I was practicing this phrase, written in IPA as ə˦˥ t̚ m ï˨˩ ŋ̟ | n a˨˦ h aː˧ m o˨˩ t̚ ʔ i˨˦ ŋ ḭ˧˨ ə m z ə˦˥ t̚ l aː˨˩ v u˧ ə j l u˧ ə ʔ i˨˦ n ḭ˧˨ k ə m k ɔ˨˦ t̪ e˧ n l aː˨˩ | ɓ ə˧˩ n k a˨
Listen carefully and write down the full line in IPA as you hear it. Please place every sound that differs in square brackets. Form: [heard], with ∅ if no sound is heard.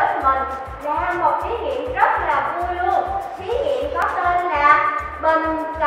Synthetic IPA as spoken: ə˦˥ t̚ m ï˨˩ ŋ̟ | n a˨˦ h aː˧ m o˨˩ t̚ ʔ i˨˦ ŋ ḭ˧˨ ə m z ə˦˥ t̚ l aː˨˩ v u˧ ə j l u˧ ə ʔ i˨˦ [ŋ] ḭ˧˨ [∅] ə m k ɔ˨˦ t̪ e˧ n l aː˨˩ | ɓ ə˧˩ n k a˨